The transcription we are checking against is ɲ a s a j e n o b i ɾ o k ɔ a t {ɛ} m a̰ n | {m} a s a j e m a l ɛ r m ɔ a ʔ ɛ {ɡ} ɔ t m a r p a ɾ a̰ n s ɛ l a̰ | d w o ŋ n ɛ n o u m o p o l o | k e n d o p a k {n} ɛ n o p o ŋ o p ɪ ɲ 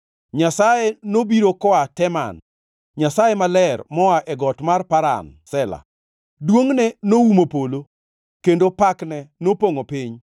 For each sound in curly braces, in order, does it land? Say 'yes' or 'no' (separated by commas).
yes, no, yes, yes